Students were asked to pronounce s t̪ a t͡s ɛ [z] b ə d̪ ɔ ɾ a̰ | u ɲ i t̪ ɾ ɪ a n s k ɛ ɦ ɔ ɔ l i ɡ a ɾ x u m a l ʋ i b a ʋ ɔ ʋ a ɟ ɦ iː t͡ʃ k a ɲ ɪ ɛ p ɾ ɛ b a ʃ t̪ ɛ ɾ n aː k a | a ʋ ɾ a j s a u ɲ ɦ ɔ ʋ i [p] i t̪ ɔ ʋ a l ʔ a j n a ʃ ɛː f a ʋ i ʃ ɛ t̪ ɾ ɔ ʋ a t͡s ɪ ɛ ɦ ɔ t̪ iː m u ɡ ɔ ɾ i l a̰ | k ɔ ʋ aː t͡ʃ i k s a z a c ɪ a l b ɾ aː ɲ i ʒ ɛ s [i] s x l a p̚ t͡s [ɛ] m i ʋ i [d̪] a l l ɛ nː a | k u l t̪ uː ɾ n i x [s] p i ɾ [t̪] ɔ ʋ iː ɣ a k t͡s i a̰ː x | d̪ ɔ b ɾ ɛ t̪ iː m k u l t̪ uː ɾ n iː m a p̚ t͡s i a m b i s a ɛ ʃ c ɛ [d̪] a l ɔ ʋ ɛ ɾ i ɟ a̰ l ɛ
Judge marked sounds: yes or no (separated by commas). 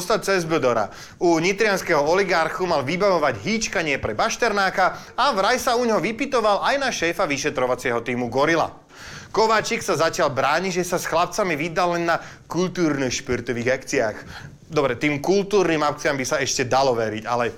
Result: yes, yes, no, no, yes, no, yes, yes